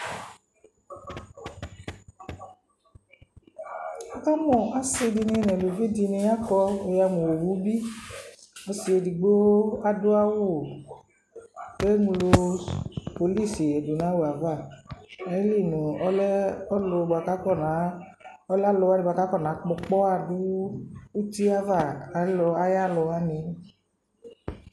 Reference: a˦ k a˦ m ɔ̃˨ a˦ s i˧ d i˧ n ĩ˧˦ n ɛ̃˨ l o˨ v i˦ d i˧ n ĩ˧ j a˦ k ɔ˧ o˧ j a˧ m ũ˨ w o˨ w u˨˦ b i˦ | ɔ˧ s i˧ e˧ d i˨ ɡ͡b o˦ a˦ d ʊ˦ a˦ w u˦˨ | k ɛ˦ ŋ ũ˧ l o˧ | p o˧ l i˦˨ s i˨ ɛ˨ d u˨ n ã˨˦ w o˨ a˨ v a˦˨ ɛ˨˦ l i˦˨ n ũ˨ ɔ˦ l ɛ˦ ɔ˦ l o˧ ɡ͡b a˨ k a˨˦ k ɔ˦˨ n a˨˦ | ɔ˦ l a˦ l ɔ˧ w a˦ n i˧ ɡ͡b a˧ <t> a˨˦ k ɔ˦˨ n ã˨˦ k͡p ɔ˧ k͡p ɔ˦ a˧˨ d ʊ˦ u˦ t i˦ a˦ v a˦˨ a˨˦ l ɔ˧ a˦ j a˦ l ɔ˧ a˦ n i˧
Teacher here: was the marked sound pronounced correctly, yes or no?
no